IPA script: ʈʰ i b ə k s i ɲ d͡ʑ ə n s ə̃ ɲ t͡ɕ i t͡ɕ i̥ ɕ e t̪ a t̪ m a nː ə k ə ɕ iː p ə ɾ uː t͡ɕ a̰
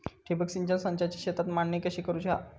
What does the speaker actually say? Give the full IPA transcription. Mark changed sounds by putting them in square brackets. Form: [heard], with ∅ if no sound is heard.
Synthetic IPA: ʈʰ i b ə k s i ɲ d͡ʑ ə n s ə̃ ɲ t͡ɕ [a] t͡ɕ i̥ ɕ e t̪ a t̪ m a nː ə k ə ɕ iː [k] ə ɾ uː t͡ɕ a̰